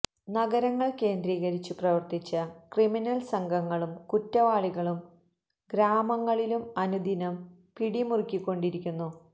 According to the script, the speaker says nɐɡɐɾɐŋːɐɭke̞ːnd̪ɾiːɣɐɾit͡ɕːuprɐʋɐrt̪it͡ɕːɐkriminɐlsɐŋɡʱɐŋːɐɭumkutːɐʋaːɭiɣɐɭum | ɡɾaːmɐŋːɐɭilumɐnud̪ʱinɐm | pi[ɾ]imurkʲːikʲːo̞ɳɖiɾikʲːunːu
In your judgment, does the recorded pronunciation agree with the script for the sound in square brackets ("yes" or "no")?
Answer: no